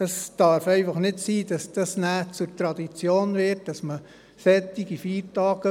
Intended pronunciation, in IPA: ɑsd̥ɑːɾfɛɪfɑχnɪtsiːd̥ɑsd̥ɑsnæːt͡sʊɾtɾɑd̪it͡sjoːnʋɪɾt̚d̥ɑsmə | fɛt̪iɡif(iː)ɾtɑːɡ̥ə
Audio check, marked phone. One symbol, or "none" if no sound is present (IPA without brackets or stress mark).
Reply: iː